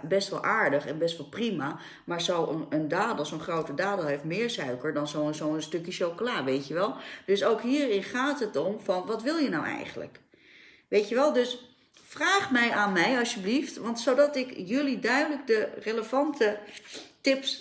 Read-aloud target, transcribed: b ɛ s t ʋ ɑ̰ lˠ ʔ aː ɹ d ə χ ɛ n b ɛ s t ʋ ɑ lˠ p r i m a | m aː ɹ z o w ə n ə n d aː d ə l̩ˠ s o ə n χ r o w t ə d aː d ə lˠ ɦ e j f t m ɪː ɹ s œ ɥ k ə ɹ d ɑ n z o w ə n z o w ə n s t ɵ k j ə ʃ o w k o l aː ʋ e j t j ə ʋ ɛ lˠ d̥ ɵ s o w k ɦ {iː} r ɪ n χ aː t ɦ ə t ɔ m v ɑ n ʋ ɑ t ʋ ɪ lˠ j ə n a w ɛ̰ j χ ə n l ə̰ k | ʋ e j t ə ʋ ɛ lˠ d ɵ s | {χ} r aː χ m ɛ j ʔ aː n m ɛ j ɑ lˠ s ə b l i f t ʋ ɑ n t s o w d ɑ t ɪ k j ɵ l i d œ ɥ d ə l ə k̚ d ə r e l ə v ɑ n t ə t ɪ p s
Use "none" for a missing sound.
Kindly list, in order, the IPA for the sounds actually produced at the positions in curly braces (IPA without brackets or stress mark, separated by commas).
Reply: iː, f